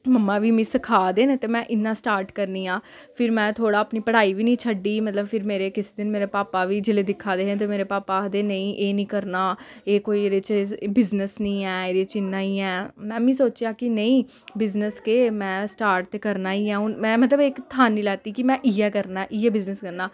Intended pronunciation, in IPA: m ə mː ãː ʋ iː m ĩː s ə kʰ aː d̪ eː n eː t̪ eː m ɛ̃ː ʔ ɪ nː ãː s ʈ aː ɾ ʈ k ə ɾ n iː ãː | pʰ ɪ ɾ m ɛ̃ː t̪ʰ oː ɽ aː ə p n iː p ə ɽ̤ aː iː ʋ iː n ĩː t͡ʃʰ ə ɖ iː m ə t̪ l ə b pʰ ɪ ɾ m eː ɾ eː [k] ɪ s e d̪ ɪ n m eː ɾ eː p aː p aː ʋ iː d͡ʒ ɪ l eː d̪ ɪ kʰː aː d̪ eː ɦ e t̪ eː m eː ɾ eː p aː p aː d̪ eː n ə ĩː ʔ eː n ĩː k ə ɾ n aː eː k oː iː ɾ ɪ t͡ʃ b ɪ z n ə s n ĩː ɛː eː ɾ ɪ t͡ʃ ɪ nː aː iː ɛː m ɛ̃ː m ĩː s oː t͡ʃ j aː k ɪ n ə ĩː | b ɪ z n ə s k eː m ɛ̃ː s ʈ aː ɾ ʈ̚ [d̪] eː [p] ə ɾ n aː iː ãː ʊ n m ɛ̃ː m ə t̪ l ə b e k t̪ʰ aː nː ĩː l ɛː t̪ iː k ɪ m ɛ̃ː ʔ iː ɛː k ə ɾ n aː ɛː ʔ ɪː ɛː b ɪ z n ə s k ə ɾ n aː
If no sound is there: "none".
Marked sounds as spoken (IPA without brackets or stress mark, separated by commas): k, t̪, k